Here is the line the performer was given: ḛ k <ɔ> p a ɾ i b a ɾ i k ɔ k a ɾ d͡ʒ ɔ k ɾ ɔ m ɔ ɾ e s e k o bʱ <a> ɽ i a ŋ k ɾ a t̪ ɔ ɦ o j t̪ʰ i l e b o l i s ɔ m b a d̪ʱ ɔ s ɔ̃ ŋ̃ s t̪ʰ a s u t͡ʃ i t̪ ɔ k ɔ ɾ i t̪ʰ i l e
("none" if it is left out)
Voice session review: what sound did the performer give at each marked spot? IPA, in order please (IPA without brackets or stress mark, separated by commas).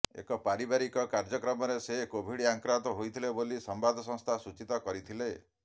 ɔ, i